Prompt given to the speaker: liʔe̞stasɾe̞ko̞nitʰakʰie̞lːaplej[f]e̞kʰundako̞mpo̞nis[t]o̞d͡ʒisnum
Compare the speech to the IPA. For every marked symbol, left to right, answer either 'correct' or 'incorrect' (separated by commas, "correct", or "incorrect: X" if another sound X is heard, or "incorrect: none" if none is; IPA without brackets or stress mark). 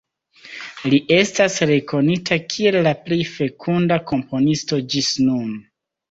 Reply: correct, correct